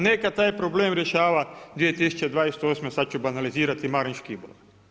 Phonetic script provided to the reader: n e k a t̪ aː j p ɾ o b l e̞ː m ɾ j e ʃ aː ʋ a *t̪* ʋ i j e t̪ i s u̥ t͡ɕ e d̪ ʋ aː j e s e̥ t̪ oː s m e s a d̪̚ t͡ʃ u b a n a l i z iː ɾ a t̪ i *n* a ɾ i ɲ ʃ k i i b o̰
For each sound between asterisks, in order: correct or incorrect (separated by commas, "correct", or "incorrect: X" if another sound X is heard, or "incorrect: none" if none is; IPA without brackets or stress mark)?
incorrect: d̪, incorrect: m